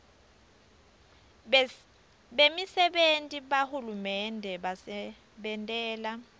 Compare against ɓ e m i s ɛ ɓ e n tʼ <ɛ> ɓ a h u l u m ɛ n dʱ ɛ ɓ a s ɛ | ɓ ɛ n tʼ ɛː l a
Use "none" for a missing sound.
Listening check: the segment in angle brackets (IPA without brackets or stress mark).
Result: i